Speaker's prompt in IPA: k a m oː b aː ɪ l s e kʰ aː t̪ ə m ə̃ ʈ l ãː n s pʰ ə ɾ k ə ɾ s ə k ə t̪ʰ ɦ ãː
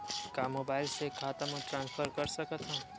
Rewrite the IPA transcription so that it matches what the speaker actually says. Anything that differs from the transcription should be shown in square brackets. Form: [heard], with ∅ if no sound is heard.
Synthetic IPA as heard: k a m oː b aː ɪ l s e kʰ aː t̪ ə m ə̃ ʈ [ɾ] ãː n s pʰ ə ɾ k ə ɾ s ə k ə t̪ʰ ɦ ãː